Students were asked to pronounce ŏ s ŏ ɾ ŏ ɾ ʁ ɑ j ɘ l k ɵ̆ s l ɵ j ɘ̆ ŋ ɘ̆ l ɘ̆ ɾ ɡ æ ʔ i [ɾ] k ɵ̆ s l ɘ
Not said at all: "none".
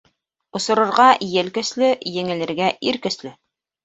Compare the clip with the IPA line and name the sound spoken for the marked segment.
ɾ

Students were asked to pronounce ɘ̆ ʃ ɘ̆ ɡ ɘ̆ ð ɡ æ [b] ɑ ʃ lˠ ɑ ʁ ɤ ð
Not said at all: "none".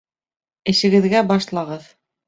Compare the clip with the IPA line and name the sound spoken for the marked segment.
b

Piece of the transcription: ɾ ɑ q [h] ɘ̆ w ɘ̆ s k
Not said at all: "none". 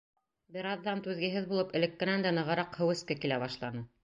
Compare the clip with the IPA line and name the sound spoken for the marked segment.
h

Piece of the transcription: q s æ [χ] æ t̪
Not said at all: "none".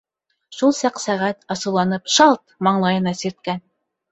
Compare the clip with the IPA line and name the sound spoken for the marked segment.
ʁ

